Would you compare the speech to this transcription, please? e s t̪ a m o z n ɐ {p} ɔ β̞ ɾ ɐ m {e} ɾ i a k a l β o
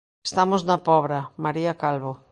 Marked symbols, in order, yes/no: yes, no

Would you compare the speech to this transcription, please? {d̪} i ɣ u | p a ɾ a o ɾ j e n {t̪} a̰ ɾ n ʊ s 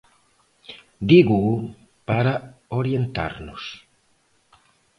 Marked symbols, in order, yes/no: yes, yes

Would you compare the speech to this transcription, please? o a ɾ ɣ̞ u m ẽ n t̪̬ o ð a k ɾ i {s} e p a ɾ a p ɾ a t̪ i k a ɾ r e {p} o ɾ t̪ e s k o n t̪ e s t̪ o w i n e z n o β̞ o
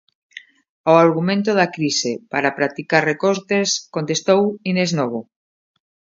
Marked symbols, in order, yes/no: yes, no

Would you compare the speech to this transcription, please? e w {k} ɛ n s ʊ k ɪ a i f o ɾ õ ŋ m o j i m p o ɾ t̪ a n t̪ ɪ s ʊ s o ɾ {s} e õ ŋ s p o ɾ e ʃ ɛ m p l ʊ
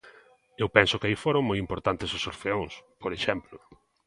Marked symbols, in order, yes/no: no, no

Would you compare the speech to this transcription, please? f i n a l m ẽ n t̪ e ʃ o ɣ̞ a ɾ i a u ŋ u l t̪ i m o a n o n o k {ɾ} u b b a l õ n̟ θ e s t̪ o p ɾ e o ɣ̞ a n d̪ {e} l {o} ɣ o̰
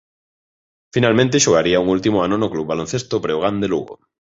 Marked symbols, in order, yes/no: no, yes, no

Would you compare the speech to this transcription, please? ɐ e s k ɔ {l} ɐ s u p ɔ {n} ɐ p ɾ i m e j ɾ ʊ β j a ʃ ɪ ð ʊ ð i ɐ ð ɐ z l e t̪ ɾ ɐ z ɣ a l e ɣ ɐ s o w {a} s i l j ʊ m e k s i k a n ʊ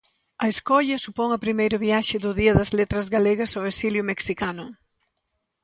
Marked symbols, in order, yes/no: no, no, no

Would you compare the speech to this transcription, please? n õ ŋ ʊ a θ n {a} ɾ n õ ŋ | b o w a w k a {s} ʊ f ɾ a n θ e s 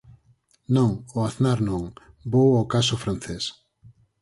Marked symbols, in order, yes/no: yes, yes

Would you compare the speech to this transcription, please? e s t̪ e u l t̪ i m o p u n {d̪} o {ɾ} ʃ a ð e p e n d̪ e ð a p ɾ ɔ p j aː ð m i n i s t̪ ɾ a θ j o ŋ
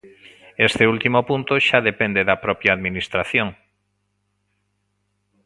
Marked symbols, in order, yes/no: no, no

